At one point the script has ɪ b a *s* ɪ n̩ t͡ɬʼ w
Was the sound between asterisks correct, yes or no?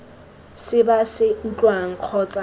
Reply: yes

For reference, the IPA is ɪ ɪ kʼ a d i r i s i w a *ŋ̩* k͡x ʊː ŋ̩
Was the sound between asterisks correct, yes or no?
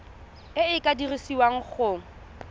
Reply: yes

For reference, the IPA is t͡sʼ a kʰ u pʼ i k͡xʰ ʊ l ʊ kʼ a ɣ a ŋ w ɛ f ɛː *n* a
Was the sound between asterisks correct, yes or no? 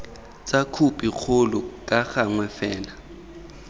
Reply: yes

